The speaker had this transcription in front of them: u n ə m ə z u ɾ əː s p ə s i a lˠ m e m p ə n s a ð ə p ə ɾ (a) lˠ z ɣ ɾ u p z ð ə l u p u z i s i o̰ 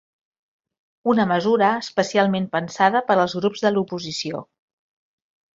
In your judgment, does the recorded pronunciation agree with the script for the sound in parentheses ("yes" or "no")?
no